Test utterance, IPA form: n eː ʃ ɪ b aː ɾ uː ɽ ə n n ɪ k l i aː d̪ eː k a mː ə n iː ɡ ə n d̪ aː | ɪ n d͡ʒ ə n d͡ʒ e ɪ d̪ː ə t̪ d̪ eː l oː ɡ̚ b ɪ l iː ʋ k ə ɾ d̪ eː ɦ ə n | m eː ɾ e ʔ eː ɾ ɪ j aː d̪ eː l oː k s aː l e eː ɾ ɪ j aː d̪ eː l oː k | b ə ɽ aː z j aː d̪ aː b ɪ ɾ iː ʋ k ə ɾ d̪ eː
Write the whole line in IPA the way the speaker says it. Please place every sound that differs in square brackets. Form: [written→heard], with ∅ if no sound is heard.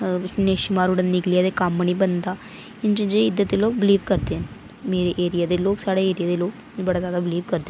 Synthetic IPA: n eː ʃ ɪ [b→m] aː ɾ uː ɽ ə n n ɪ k l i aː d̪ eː k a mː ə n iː [ɡ→b] ə n d̪ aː | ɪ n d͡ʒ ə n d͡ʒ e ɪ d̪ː ə t̪ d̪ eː l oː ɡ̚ b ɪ l iː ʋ k ə ɾ d̪ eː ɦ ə n | m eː ɾ e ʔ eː ɾ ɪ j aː d̪ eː l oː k s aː [l→ɽ] e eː ɾ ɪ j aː d̪ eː l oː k | b ə ɽ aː z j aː d̪ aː b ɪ [ɾ→l] iː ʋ k ə ɾ d̪ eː